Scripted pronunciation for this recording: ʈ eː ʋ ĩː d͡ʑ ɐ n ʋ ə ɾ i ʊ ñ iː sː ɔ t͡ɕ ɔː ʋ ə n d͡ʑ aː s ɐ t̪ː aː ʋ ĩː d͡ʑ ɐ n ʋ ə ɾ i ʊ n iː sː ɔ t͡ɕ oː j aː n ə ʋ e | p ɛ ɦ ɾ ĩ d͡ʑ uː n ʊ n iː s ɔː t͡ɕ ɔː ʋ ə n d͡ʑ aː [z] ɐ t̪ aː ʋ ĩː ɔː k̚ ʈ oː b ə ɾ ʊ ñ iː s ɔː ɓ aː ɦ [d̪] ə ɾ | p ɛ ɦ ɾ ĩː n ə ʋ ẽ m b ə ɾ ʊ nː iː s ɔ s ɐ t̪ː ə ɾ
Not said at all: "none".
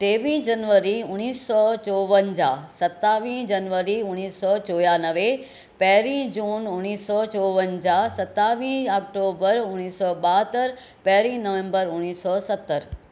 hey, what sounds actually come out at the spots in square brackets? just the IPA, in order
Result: s, t̪

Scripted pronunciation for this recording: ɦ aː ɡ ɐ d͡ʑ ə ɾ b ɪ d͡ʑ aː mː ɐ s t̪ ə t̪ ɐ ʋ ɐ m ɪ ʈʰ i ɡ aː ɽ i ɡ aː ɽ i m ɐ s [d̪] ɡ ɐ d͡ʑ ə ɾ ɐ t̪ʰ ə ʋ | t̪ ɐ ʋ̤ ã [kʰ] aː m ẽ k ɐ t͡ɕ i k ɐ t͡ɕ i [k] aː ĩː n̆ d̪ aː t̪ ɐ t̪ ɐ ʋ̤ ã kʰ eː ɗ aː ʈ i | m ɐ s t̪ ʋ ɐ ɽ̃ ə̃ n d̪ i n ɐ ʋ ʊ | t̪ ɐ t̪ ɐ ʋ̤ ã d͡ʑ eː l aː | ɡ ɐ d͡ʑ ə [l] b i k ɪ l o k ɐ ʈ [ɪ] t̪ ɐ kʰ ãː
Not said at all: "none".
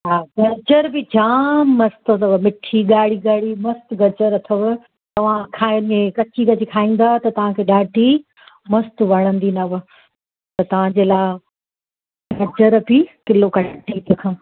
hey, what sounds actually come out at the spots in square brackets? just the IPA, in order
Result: t̪, kʰ, kʰ, ɾ, i

